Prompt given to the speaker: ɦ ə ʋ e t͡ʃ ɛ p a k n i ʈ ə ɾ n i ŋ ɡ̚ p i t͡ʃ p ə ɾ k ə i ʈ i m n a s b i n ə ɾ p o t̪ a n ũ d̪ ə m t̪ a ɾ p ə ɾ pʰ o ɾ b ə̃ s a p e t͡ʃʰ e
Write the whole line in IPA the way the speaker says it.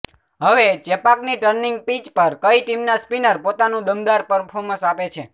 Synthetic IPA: ɦ ə ʋ e t͡ʃ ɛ p a k n i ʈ ə ɾ n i ŋ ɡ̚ p i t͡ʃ p ə ɾ k ə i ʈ i m n a s p i n ə ɾ p o t̪ a n ũ d̪ ə m d̪ a ɾ p ə ɾ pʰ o ɾ m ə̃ s a p e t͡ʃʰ e